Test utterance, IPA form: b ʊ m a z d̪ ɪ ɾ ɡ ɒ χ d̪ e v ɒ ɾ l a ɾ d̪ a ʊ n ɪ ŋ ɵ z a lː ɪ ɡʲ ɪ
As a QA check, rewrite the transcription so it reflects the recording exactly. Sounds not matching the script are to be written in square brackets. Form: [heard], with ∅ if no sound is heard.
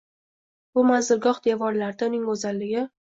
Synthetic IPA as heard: b ʊ m a z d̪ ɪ ɾ ɡ ɒ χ d̪ e v ɒ ɾ l a ɾ d̪ a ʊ n ɪ ŋ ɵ z a lː ɪ ɡʲ ɪ